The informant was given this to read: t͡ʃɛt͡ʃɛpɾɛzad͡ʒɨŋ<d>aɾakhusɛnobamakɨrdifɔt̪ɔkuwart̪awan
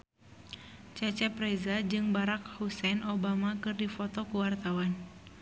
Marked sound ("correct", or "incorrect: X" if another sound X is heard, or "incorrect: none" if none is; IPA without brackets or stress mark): incorrect: b